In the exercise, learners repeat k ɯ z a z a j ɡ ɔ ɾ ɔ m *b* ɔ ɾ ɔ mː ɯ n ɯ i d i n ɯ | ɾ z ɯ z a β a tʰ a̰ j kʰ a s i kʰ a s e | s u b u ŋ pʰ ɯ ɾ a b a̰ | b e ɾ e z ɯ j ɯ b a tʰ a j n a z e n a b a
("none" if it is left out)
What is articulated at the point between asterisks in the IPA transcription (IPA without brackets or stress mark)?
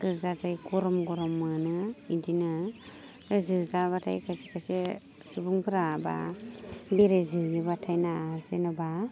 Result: ɡ